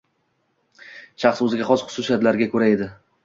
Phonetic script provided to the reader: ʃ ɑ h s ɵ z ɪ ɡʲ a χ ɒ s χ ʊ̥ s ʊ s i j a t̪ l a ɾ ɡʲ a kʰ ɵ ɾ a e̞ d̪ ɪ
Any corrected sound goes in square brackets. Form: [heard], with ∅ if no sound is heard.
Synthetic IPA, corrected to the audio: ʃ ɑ [χ] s ɵ z ɪ ɡʲ a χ ɒ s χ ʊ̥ s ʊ s i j a t̪ l a ɾ ɡʲ a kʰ ɵ ɾ a e̞ d̪ ɪ